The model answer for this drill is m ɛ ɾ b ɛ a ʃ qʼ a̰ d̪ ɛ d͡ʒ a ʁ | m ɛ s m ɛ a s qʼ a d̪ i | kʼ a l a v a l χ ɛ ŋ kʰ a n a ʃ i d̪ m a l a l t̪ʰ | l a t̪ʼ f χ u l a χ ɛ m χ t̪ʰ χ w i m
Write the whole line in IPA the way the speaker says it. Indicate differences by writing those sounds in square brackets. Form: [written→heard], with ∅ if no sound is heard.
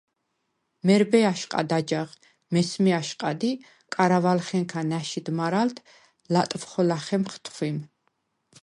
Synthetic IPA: m ɛ ɾ b ɛ a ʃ qʼ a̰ d̪ [ɛ→a] d͡ʒ a ʁ | m ɛ s m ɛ a [s→ʃ] qʼ a d̪ i | kʼ a [l→ɾ] a v a l χ ɛ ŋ kʰ a n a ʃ i d̪ m a [l→ɾ] a l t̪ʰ | l a t̪ʼ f χ [u→ɔ] l a χ ɛ m χ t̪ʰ χ w i m